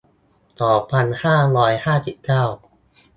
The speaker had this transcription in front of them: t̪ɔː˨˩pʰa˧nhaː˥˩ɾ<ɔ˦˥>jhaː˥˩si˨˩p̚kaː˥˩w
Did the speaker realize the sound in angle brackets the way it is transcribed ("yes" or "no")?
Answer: no